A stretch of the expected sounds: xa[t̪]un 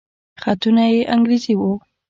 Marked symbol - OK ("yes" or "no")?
yes